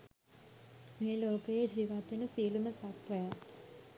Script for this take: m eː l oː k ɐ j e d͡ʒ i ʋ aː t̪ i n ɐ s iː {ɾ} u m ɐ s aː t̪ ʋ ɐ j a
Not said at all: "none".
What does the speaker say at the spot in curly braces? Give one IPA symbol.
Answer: l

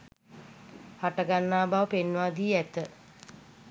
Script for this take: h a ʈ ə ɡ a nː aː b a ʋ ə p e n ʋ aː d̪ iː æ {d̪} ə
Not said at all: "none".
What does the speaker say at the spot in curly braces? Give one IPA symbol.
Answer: t̪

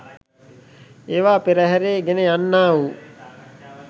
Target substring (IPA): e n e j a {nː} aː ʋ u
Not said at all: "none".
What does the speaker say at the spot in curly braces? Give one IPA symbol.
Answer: nː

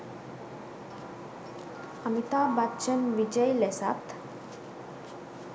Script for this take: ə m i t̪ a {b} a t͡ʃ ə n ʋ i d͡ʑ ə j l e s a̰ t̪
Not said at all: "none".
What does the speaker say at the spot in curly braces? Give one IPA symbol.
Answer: b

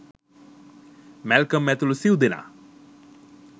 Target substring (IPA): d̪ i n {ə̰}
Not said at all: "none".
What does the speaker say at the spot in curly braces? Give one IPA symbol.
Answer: a̰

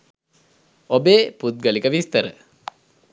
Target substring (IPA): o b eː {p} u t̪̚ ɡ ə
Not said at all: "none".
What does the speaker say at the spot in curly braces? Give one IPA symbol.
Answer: p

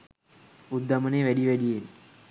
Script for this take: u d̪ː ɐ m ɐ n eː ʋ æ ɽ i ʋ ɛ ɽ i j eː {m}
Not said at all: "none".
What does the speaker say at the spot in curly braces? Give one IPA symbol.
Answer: n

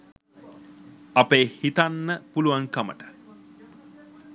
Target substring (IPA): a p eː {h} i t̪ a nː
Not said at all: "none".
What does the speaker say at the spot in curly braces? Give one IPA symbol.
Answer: h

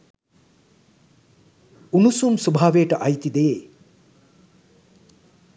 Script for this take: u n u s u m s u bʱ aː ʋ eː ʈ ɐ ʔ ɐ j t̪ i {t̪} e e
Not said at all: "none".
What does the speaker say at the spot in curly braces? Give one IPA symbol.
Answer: d̪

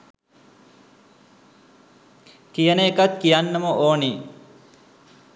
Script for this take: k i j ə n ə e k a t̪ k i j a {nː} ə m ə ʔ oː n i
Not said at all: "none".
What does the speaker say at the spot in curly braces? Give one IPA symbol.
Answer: nː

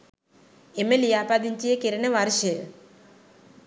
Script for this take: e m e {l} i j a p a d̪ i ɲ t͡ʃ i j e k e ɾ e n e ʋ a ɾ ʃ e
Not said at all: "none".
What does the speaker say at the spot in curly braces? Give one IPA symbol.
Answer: l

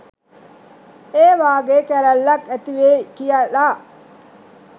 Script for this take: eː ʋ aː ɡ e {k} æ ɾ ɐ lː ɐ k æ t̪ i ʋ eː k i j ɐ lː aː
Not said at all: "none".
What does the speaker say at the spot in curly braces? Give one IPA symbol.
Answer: k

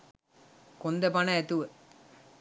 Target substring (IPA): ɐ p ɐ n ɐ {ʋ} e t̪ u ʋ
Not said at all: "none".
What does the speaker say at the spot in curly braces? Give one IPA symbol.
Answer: none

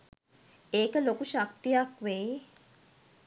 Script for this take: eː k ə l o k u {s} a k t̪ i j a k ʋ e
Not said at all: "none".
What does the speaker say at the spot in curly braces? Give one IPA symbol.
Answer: ʃ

